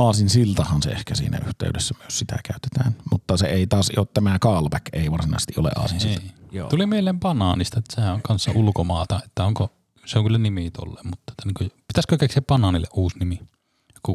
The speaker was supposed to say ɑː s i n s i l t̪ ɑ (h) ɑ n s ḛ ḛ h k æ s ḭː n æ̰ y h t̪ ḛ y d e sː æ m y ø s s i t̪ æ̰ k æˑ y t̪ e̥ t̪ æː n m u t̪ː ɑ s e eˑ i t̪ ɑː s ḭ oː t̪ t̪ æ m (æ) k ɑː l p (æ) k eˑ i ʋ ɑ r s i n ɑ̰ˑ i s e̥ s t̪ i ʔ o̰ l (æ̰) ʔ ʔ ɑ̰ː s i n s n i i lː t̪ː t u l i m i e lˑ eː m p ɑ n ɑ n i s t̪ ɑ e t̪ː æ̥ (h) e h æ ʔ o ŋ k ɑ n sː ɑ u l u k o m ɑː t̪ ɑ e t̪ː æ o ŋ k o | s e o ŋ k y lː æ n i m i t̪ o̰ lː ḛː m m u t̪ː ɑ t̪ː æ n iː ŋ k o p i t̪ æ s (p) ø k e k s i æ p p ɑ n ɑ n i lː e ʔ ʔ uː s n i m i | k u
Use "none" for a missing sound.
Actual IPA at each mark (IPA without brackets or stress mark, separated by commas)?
h, æ, æ, ḛ, s, k